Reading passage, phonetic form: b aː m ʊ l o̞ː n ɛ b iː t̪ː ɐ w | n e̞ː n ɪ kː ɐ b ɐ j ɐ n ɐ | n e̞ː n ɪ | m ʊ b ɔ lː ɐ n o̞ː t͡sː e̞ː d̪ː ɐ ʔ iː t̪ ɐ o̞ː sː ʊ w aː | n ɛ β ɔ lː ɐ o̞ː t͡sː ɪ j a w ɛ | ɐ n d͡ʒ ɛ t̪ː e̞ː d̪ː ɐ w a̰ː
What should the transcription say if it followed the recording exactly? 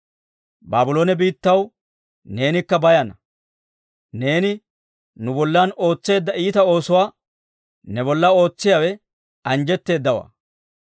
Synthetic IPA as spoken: b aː b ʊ l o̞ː n ɛ b iː t̪ː ɐ w | n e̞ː n ɪ kː ɐ b ɐ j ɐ n ɐ | n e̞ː n ɪ | n ʊ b ɔ lː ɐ n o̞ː t͡sː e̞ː d̪ː ɐ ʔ iː t̪ ɐ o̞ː s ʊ w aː | n ɛ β ɔ lː ɐ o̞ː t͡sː ɪ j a w ɛ | ɐ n d͡ʒ ɛ t̪ː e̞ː d̪ː ɐ w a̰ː